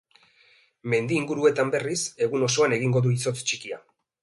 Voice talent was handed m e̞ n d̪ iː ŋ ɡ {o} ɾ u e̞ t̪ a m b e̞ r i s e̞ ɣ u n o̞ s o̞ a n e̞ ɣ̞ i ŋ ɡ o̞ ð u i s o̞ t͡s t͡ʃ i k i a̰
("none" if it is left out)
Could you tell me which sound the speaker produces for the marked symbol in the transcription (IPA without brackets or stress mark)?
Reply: u